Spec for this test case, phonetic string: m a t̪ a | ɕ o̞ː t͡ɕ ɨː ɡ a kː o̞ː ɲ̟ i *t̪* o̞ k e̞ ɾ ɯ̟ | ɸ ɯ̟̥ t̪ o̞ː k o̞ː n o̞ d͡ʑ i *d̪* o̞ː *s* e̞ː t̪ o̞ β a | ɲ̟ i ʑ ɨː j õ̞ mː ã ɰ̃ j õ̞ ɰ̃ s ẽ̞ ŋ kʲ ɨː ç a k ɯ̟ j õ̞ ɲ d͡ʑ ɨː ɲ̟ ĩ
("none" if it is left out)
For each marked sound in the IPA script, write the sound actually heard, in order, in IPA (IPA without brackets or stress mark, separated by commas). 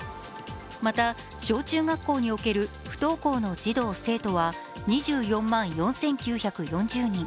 none, d̪, s